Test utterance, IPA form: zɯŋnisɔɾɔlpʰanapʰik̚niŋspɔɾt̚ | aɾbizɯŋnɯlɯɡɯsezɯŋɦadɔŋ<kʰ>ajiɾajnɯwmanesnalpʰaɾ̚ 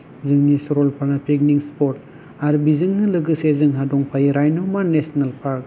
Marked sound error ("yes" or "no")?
yes